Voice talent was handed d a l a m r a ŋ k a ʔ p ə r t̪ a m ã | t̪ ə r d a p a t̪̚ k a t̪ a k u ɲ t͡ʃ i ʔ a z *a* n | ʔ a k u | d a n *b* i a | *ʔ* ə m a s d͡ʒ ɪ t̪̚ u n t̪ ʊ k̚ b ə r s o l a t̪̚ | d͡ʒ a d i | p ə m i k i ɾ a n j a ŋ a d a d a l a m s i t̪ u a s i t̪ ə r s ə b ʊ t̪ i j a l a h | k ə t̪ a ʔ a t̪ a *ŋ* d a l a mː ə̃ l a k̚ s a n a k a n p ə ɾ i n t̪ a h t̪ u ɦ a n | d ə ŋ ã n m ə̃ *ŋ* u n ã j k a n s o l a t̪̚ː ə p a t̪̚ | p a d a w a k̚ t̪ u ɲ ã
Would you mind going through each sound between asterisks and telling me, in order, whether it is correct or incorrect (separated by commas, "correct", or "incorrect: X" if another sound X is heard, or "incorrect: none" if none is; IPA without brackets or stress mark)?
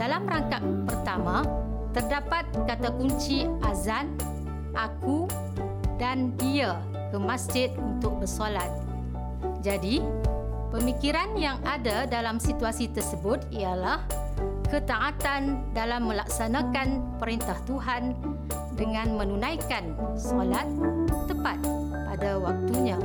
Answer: correct, incorrect: d, incorrect: k, incorrect: n, incorrect: n